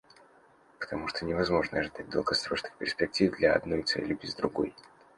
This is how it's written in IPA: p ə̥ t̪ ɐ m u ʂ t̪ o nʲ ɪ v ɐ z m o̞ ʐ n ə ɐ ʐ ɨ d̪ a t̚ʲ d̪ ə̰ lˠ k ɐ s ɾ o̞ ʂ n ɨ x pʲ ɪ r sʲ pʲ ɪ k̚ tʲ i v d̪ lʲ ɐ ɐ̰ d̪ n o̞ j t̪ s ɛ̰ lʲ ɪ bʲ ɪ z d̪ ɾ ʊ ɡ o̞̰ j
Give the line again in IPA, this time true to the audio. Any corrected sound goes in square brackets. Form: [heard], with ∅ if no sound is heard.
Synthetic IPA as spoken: p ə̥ t̪ ɐ m u ʂ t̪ o nʲ ɪ v ɐ z m o̞ ʐ n ə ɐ ʐ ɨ d̪ a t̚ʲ d̪ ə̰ lˠ [ɡ] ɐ s ɾ o̞ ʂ n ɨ x pʲ ɪ r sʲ pʲ ɪ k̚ tʲ i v d̪ lʲ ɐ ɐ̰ d̪ n o̞ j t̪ s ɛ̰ lʲ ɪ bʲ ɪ z d̪ ɾ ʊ ɡ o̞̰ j